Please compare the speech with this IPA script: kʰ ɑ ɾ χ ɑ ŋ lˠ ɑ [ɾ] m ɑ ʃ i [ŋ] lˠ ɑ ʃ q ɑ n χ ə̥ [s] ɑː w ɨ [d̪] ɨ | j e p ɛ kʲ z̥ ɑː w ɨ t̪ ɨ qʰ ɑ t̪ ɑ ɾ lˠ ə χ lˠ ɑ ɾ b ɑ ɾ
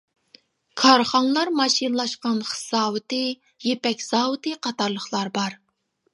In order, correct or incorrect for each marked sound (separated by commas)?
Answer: correct, incorrect, correct, incorrect